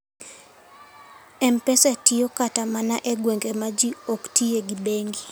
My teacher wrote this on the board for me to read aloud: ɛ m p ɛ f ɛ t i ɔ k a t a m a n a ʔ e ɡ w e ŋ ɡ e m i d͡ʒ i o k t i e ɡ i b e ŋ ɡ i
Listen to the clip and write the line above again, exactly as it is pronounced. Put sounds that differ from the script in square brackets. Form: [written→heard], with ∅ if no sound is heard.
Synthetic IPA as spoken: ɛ m p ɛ [f→s] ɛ t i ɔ k a t a m a n a ʔ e ɡ w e ŋ ɡ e m [i→a] d͡ʒ i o k t i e ɡ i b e ŋ ɡ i